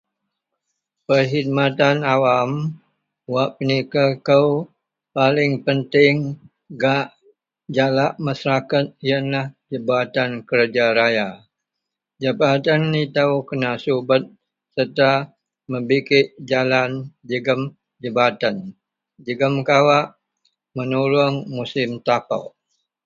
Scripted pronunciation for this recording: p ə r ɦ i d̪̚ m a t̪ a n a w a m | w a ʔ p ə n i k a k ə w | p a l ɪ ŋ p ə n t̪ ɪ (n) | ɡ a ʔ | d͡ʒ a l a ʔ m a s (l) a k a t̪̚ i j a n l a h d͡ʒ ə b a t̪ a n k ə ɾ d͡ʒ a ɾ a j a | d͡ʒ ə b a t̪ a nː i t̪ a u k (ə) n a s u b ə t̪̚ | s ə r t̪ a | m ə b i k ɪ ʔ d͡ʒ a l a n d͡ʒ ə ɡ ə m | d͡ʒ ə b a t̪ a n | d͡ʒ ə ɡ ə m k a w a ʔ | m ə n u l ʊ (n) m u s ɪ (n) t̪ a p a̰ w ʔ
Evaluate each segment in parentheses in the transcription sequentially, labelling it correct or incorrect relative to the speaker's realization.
incorrect: ŋ, incorrect: ɾ, correct, incorrect: ŋ, incorrect: m

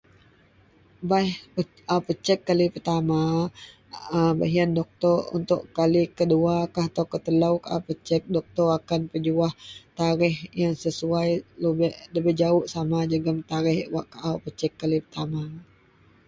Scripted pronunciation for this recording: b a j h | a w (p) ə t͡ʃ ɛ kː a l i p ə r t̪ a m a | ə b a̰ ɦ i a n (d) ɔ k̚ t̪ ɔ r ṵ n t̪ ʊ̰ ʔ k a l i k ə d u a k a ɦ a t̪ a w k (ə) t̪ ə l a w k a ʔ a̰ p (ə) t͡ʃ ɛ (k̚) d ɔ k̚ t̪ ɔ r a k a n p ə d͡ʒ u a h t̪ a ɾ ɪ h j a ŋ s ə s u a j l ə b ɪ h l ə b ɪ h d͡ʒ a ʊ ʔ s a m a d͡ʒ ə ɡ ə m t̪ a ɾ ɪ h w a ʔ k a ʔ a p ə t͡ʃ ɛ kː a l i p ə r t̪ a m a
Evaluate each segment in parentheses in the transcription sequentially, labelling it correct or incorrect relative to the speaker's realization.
correct, correct, correct, correct, correct

